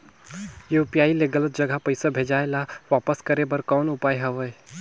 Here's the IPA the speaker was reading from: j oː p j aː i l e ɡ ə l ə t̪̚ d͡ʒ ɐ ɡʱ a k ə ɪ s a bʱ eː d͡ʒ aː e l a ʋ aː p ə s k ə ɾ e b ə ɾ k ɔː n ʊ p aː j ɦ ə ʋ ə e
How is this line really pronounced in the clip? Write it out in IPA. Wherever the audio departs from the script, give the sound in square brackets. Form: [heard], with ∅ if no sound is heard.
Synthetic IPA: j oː p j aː i l e ɡ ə l ə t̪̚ d͡ʒ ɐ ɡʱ a [p] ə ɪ s a bʱ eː d͡ʒ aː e l a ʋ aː p ə s k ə ɾ e b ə ɾ k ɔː n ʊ p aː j ɦ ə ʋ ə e